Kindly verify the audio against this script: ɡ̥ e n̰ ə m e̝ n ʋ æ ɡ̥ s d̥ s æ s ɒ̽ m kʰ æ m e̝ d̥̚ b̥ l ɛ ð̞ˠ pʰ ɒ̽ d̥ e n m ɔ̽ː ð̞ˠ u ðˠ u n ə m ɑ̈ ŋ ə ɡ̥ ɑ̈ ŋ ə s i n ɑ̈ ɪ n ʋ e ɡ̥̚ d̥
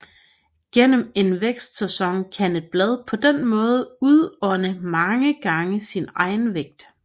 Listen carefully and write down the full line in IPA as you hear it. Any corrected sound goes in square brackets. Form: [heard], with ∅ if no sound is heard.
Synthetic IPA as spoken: ɡ̥ e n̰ ə m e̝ n ʋ [e] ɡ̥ s d̥ s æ s ɒ̽ [ŋ] kʰ æ [n] e̝ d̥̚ b̥ l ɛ ð̞ˠ pʰ ɒ̽ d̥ e n m ɔ̽ː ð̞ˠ u ðˠ [ɒ] n ə m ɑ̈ ŋ ə ɡ̥ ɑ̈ ŋ ə s i n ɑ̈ ɪ n ʋ e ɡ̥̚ d̥